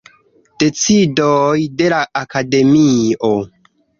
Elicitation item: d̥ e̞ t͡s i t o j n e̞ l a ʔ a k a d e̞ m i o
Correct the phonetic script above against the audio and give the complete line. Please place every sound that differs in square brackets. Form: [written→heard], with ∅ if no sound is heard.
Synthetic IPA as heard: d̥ e̞ t͡s i [t→d] o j [n→d] e̞ l a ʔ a k a d e̞ m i o